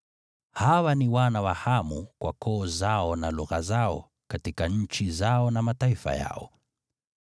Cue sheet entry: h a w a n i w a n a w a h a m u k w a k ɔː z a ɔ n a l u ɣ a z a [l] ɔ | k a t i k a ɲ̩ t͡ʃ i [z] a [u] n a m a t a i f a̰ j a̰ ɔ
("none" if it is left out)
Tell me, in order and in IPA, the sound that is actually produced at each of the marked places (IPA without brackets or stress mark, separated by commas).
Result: none, z, ɔ